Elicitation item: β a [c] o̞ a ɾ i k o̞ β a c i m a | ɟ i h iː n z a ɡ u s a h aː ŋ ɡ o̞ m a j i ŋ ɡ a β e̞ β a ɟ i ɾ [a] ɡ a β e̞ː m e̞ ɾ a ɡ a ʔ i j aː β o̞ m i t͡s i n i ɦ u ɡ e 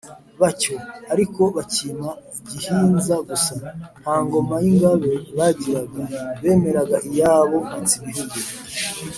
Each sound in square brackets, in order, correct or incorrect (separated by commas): correct, correct